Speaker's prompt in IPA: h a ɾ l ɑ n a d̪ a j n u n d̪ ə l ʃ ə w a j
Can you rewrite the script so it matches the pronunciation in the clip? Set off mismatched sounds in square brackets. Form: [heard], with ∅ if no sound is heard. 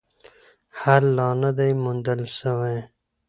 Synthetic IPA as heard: h a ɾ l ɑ n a d̪ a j [m] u n d̪ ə l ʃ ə w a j